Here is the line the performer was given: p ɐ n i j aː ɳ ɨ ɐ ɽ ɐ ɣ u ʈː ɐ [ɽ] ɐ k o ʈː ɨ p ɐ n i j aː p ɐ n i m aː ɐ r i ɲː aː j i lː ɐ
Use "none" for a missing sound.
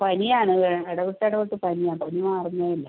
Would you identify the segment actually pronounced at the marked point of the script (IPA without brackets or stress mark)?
ɽ